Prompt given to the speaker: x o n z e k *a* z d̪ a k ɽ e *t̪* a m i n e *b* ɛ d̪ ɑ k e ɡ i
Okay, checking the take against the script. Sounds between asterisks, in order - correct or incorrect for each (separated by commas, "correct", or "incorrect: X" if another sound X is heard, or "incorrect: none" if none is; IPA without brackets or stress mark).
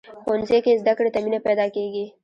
incorrect: e, correct, incorrect: p